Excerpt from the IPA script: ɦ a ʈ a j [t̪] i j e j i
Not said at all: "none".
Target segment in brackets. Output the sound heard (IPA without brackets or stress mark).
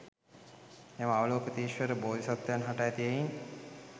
t̪